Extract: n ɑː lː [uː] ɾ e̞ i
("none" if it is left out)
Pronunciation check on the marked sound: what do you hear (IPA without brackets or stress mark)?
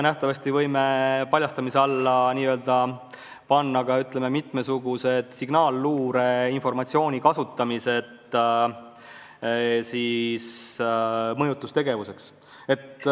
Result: uː